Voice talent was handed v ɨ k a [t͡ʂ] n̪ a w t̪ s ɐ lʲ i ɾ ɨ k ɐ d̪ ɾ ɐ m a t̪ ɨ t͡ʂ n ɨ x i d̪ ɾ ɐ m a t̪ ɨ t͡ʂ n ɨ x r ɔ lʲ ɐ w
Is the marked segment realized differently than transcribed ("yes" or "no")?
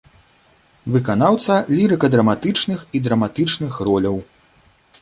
yes